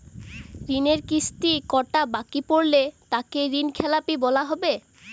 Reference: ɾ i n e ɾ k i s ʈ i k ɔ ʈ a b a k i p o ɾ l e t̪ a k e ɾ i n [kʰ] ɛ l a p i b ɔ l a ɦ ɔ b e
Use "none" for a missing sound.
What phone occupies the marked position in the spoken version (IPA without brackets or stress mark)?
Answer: kʰ